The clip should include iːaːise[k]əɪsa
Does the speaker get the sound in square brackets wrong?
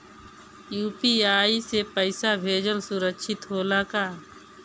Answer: yes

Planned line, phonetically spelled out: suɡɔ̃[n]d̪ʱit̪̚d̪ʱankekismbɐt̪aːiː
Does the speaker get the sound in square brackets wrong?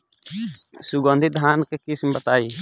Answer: no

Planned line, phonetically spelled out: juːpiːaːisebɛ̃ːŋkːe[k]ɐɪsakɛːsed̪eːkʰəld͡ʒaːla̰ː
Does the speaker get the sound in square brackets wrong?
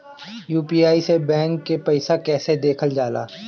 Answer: yes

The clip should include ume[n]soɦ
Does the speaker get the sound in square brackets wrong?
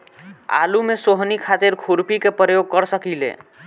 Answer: yes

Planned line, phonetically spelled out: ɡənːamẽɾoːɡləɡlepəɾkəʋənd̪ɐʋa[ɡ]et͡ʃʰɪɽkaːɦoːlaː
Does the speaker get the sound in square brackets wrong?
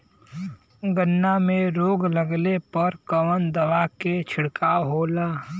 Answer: yes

